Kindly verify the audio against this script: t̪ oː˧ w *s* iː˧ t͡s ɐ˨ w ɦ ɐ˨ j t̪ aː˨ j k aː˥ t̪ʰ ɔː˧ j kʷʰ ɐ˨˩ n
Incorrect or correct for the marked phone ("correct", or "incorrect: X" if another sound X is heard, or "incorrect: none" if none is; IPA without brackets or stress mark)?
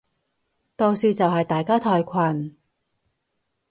correct